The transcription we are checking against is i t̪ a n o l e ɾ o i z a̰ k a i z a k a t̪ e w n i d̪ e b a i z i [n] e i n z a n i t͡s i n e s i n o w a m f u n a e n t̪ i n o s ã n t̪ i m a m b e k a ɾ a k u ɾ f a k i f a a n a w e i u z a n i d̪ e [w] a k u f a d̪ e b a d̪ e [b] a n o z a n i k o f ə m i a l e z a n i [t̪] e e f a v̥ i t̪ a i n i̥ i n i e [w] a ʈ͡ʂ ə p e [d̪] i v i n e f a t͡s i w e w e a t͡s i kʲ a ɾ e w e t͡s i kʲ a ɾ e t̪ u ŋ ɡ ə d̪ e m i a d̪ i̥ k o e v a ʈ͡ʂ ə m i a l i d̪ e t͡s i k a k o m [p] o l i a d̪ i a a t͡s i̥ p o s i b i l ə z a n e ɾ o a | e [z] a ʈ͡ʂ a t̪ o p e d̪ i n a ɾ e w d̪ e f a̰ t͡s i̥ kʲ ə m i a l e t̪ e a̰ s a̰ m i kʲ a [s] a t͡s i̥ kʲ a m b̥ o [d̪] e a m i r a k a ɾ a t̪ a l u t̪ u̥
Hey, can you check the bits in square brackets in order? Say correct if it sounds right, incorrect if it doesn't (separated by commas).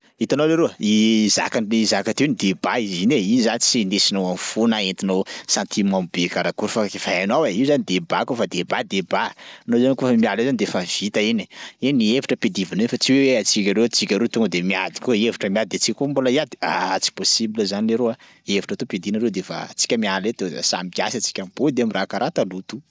correct, incorrect, correct, incorrect, incorrect, correct, incorrect, incorrect, correct, correct